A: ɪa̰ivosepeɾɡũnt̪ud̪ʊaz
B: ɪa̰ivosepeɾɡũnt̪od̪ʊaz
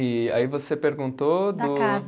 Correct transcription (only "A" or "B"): B